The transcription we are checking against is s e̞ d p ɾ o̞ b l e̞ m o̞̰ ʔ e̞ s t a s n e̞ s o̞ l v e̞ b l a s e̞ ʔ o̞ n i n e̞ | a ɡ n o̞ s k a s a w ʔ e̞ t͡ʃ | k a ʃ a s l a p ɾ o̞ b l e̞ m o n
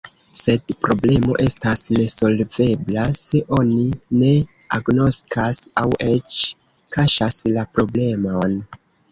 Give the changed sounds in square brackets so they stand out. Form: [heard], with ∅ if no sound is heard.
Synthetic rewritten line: s e̞ d p ɾ o̞ b l e̞ m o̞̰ ʔ e̞ s t a s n e̞ s o̞ l v e̞ b l a s e̞ ʔ o̞ n i n e̞ | a ɡ n o̞ s k a s a w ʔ e̞ t͡ʃ | k a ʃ a s l a p ɾ o̞ b l e̞ m o n